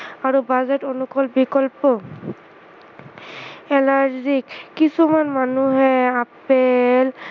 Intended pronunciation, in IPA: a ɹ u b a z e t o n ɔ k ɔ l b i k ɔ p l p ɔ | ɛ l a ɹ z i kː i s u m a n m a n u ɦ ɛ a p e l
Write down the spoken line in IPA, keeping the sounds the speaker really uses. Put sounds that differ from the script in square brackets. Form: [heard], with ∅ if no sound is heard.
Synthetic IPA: a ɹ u b a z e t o n [u] k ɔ l b i k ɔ [∅] l p ɔ | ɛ l a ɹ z i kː i s u m a n m a n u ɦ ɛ a p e l